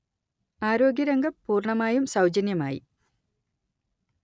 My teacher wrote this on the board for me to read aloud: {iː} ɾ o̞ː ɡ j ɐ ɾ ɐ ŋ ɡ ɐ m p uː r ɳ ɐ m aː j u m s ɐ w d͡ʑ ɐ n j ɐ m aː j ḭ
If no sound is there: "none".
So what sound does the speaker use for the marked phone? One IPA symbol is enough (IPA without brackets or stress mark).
aː